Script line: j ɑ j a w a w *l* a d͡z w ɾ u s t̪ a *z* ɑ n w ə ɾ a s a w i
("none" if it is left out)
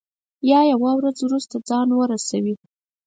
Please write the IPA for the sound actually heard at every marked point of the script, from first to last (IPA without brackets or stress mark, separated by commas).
ɾ, d͡z